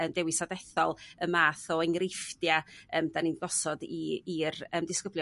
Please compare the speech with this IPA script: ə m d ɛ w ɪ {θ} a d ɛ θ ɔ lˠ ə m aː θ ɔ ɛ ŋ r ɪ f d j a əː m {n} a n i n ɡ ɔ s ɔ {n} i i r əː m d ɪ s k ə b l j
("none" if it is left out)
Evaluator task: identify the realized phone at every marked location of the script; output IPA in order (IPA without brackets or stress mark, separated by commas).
s, d, d